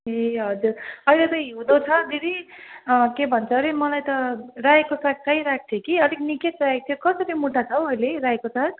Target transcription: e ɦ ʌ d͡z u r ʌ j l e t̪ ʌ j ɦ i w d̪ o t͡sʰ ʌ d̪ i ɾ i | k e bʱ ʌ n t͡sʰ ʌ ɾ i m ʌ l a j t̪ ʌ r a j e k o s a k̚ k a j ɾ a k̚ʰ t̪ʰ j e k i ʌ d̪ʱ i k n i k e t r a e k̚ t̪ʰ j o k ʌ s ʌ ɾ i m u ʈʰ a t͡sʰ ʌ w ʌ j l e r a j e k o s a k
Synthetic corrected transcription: e ɦ ʌ d͡z u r ʌ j l e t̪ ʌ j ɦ i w d̪ o t͡sʰ ʌ d̪ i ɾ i | k e bʱ ʌ n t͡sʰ ʌ ɾ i m ʌ l a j t̪ ʌ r a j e k o s a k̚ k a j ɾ a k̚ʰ t̪ʰ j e k i ʌ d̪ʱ i k n i k e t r a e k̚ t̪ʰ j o k ʌ s ʌ ɾ i m u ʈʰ a t͡sʰ ʌ w ʌ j l e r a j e k o s a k